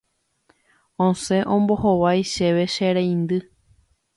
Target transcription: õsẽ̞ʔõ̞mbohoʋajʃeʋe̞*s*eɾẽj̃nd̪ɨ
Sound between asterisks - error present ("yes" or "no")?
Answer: yes